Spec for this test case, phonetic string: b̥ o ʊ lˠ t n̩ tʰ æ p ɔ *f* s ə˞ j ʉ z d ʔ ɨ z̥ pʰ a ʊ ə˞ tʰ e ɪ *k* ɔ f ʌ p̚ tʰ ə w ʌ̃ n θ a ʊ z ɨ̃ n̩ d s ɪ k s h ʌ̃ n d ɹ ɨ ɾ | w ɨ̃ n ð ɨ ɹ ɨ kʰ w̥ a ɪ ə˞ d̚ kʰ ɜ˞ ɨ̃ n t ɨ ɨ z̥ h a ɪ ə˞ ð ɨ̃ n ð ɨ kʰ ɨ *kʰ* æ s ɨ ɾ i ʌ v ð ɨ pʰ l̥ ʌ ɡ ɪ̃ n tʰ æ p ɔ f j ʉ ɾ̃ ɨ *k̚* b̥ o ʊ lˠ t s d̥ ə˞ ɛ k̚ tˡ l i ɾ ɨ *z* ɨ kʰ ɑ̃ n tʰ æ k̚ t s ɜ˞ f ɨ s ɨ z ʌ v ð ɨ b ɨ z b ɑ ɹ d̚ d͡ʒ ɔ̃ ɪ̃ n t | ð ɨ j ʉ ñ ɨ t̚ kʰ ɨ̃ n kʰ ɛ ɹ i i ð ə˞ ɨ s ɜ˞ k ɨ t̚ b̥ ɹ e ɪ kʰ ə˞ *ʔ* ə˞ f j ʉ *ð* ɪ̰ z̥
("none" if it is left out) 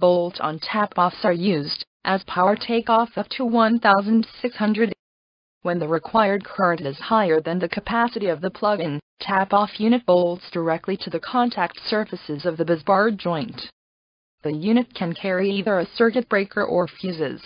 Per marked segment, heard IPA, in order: f, k, pʰ, t̚, ð, ʔ, z

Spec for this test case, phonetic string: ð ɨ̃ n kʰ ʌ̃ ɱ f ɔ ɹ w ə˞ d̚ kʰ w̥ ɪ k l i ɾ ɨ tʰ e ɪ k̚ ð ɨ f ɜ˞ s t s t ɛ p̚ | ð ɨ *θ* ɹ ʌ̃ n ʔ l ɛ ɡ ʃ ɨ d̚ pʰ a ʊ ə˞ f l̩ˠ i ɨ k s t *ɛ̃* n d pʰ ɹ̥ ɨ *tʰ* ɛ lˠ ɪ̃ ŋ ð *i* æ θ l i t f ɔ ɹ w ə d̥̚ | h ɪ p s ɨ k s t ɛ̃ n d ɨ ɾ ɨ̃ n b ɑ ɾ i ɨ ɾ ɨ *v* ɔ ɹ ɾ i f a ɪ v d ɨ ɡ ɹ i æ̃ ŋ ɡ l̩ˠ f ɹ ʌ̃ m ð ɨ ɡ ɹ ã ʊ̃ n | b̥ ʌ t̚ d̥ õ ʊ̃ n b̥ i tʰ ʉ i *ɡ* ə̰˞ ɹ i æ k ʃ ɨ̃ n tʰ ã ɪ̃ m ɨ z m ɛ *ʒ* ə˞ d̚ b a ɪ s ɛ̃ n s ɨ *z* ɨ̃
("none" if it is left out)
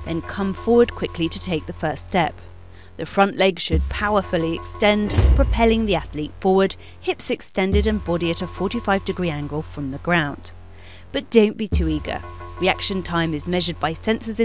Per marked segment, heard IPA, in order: f, ɛ̃, pʰ, i, f, ɡ, ʒ, z

